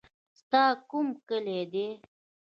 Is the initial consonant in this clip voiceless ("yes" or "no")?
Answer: yes